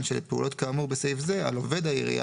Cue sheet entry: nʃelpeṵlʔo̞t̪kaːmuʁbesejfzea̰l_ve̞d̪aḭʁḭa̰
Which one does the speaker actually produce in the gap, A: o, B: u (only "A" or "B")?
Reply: A